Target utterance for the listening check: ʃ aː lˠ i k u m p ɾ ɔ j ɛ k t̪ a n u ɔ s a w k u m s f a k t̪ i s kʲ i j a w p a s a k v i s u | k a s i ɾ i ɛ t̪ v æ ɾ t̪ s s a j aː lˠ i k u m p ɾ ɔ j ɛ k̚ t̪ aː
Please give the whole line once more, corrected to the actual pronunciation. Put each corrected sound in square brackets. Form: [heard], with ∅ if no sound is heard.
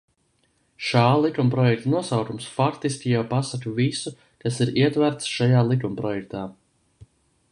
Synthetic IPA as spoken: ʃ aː lˠ i k u m p ɾ ɔ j ɛ k t̪ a n u ɔ s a w k u m s f a k t̪ i s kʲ i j a w p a s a k v i s u | k a s i ɾ i ɛ t̪ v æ ɾ t̪ s [ʃ] a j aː lˠ i k u m p ɾ ɔ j ɛ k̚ t̪ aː